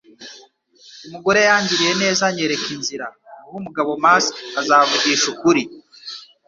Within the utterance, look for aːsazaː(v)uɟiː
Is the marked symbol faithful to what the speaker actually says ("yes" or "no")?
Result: yes